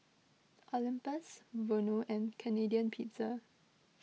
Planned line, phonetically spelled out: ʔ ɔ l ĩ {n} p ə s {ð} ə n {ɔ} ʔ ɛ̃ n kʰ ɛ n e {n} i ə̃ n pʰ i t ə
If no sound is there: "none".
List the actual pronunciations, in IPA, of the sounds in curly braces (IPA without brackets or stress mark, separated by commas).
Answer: m, v, o, d